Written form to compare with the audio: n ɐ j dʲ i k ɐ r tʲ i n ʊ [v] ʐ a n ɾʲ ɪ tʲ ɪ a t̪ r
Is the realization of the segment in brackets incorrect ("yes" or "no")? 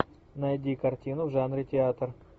no